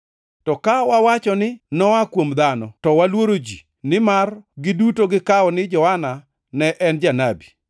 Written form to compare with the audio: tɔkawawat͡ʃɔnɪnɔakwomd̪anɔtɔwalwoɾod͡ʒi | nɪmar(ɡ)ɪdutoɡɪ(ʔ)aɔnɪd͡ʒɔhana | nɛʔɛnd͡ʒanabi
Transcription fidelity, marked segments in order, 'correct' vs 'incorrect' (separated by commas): correct, incorrect